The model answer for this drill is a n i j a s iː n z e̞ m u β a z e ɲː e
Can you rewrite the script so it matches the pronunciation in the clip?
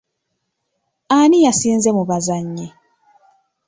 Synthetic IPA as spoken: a n i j a s iː n z e̞ m u β a z a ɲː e